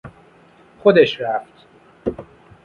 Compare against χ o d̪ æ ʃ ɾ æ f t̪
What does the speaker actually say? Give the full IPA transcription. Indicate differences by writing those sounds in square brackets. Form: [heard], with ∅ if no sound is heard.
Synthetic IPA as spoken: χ o d̪ [e] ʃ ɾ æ f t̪